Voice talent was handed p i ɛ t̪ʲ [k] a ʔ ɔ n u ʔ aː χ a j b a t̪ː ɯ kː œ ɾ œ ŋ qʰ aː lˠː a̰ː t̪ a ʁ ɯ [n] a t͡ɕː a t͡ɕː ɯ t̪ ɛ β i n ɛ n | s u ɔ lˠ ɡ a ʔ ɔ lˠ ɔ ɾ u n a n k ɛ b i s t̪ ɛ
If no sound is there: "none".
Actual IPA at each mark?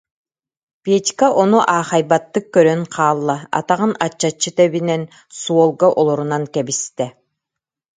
k, n

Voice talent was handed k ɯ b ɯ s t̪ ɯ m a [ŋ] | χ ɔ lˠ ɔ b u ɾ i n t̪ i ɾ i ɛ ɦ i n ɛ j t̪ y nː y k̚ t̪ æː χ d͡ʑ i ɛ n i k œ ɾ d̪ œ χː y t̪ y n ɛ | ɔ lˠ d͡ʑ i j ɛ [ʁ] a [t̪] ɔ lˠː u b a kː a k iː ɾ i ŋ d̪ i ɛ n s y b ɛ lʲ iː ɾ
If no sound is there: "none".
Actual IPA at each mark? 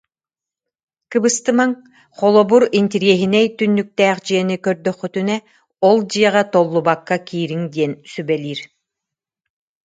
ŋ, ʁ, t̪

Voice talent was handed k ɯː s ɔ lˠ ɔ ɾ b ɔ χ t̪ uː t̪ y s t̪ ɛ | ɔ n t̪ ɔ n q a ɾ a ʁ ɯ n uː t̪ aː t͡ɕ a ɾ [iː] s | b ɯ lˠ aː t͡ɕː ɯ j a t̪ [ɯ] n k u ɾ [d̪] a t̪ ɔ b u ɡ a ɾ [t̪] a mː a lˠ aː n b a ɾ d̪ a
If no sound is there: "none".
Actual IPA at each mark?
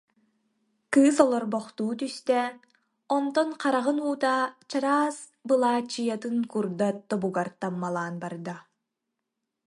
aː, ɯ, d̪, t̪

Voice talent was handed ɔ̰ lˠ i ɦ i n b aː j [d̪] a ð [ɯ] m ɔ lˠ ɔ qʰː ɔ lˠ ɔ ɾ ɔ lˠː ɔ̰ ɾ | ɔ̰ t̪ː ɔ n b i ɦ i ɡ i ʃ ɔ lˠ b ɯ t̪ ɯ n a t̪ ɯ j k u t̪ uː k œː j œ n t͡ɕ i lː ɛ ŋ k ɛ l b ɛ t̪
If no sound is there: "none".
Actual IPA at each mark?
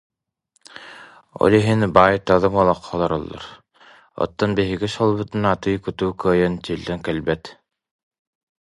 t̪, ɯ

